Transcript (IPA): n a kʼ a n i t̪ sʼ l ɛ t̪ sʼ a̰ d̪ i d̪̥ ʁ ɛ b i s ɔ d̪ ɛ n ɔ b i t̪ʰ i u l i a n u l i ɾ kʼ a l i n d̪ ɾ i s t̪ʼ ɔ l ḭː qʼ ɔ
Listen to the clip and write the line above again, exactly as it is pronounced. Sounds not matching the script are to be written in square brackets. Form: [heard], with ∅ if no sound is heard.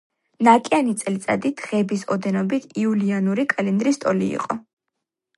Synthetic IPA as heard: n a kʼ a n i t̪ sʼ l [i] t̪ sʼ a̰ d̪ i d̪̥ ʁ ɛ b i s ɔ d̪ ɛ n ɔ b i t̪ʰ i u l i a n u [ɾ] i [∅] kʼ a l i n d̪ ɾ i s t̪ʼ ɔ l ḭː qʼ ɔ